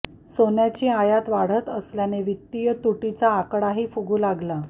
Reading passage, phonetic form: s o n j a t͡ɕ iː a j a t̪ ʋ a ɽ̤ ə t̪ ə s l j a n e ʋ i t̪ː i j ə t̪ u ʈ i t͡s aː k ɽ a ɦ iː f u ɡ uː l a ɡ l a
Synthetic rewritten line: s o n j a t͡ɕ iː a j a t̪ ʋ a ɽ̤ ə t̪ ə s l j a n e ʋ i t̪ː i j ə t̪ u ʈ i t͡s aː k ɽ a ɦ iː f u ɡ uː l a ɡ l a

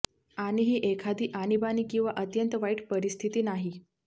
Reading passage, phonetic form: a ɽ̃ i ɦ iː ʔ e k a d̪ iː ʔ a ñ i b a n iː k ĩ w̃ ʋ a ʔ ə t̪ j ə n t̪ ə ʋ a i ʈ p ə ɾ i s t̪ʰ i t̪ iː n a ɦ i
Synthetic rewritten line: a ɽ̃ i ɦ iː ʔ e kʰ a d̪ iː ʔ a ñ i b a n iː k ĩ w̃ ʋ a ʔ ə t̪ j ə n t̪ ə ʋ a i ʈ p ə ɾ i s t̪ʰ i t̪ iː n a ɦ i

